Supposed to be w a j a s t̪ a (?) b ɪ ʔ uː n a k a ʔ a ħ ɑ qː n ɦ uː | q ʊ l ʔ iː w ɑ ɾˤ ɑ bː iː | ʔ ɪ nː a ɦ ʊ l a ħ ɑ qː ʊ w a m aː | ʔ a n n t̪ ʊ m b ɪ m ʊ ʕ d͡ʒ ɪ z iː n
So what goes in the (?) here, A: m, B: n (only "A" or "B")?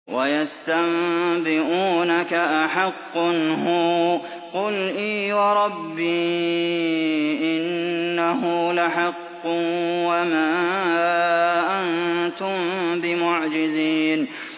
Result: A